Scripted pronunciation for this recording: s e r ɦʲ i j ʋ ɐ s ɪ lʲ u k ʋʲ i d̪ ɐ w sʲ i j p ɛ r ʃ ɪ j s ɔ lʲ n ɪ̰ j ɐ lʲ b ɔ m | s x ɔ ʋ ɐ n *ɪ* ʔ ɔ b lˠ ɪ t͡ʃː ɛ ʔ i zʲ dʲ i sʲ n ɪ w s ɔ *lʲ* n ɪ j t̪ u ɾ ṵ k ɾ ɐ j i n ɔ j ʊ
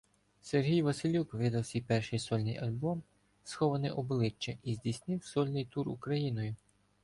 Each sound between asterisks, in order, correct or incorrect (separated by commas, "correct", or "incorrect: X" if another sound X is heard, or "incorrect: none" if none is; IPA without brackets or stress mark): correct, correct